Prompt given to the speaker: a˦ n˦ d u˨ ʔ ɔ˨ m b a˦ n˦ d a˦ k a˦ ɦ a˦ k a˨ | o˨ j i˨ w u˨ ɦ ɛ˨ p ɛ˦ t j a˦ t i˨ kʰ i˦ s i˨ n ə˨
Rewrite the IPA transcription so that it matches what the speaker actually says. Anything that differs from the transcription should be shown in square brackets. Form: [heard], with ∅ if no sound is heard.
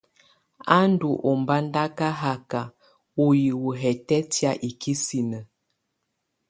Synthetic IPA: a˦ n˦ d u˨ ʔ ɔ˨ m b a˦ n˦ d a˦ k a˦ ɦ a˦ k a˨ | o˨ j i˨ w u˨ ɦ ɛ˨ [t] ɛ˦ t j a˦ [ʔ] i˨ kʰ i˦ s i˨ n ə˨